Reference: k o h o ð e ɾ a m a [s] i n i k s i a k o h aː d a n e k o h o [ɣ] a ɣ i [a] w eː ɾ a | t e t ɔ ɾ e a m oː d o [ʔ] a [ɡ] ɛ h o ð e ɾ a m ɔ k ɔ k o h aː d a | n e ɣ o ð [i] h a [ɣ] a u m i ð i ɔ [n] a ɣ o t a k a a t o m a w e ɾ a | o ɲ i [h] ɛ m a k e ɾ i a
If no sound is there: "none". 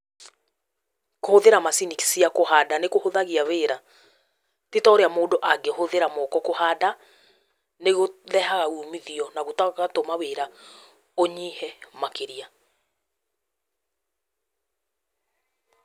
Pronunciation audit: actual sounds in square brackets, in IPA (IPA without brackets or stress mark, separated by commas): s, ð, a, ʔ, ɡ, ɛ, ɣ, n, h